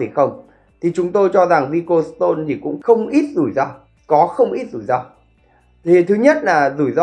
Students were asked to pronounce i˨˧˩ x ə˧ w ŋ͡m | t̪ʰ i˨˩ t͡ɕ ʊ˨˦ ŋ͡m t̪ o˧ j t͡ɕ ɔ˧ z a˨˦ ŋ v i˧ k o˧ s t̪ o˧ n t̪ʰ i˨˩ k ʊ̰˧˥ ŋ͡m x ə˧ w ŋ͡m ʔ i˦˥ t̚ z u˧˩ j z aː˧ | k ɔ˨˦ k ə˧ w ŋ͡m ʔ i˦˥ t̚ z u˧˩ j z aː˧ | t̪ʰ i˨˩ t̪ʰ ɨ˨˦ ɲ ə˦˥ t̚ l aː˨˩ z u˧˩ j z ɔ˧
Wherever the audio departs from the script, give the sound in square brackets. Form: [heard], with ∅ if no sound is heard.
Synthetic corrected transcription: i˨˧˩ x ə˧ w ŋ͡m | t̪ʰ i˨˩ t͡ɕ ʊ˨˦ ŋ͡m t̪ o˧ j t͡ɕ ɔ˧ z [a˨˩] ŋ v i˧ k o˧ s t̪ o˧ n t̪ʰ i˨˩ k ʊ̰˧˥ ŋ͡m x ə˧ w ŋ͡m ʔ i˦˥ t̚ z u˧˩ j z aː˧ | k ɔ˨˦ [x] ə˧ w ŋ͡m ʔ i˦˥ t̚ z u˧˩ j z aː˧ | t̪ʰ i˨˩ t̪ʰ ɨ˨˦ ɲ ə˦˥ t̚ l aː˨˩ z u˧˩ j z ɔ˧